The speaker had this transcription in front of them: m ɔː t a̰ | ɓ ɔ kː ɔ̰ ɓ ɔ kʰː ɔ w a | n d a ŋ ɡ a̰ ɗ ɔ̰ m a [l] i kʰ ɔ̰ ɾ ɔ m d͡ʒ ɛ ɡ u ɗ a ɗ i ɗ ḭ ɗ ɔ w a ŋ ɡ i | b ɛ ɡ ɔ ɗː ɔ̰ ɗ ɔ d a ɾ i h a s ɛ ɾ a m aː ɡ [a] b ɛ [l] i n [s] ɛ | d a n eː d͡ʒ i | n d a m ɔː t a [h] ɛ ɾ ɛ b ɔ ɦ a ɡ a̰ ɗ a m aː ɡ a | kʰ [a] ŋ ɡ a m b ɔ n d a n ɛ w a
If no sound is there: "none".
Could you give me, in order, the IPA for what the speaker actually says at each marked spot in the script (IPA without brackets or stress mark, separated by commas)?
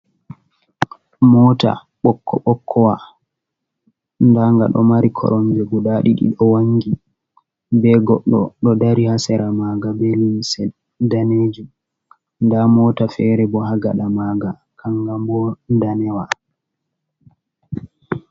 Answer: ɾ, a, l, s, f, a